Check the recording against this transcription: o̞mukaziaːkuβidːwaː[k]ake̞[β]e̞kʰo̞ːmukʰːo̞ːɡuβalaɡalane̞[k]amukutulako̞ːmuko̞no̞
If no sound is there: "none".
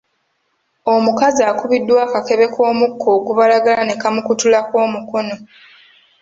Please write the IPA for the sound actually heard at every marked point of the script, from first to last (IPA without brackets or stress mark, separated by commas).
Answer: k, β, k